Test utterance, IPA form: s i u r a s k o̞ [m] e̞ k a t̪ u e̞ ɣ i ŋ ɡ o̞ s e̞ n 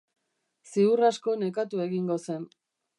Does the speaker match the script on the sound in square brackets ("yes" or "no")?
no